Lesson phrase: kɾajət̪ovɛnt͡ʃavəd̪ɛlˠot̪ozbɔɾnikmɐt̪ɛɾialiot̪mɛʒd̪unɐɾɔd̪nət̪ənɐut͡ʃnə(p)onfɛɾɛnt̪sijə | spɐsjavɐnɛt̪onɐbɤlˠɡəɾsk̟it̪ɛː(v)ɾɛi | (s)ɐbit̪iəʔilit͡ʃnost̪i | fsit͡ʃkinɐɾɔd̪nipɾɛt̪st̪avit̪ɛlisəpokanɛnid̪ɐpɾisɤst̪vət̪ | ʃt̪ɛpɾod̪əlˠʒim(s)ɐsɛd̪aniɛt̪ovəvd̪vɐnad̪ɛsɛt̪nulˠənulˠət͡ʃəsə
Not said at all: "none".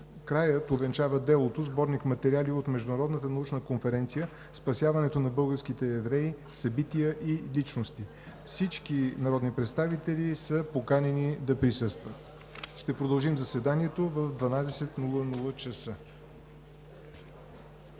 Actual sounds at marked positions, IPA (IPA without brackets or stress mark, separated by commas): k, v, s, z